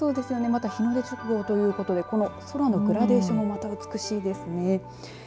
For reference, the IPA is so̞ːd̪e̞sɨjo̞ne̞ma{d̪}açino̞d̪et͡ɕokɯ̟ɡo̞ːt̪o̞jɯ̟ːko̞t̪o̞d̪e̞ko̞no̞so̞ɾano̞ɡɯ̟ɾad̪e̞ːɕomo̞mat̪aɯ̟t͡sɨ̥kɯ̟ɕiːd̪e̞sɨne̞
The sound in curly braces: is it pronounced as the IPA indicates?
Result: no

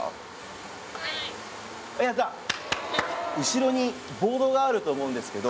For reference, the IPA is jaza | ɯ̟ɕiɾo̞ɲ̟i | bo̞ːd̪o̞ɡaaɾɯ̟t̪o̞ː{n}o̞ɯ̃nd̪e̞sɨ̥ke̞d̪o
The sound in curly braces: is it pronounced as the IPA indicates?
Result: no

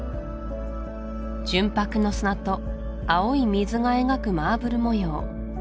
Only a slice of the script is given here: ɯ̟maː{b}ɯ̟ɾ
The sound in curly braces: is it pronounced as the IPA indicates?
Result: yes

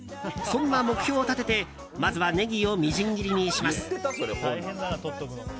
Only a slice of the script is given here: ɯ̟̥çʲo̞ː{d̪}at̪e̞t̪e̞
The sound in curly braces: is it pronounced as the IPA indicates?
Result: no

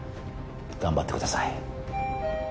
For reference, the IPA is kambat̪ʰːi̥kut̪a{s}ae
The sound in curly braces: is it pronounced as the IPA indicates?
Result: yes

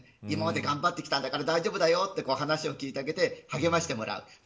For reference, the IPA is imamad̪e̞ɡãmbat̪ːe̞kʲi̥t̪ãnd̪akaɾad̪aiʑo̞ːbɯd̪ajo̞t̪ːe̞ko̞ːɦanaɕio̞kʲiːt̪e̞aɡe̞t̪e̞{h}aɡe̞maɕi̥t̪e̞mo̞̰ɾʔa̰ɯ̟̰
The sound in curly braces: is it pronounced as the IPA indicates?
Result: yes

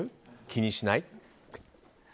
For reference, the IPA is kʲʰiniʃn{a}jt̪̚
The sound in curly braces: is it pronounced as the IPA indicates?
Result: yes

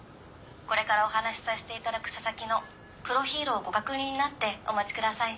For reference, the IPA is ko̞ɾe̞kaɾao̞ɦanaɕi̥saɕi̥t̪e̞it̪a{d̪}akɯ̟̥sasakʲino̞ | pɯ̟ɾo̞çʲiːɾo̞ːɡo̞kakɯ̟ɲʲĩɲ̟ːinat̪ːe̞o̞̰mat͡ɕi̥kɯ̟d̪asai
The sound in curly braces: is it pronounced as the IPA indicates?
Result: yes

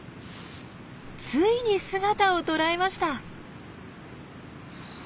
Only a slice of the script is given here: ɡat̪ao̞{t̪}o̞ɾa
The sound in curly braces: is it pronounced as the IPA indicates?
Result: yes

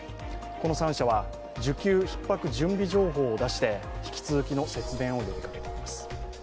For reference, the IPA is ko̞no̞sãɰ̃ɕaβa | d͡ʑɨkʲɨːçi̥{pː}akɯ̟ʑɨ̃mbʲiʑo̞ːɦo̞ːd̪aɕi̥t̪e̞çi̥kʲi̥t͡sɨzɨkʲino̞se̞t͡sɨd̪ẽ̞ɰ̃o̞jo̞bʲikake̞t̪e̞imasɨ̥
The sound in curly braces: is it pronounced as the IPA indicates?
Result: yes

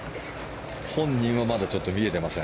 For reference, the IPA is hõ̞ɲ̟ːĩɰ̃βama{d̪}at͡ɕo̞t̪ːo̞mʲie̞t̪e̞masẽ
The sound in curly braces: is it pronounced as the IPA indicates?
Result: yes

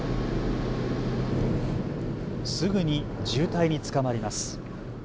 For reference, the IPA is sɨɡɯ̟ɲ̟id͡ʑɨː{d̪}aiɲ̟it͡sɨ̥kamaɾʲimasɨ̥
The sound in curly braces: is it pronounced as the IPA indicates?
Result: no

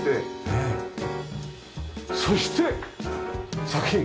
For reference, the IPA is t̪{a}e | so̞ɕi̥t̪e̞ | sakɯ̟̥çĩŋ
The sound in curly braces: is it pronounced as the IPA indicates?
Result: no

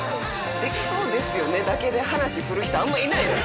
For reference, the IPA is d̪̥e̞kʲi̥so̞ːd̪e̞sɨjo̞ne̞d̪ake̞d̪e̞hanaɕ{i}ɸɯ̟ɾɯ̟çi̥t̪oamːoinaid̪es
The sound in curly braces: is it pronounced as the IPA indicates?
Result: yes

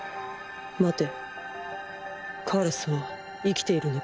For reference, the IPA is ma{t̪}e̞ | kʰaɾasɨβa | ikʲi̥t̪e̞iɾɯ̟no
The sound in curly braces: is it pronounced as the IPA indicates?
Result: yes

